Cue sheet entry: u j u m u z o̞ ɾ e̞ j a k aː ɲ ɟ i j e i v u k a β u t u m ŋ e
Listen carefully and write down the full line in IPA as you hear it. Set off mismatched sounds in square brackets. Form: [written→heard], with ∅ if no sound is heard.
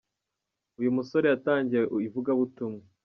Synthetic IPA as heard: u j u m u [z→s] o̞ ɾ e̞ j a [k→t] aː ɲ ɟ i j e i v u [k→ɡ] a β u t u m ŋ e